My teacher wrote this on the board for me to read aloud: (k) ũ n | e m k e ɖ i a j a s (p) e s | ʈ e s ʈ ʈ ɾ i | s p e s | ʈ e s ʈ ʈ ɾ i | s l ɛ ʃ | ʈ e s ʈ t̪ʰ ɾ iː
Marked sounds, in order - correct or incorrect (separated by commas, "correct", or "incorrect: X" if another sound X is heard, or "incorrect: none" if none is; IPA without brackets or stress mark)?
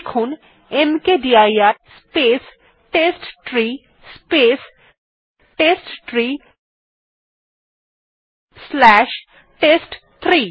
incorrect: kʰ, correct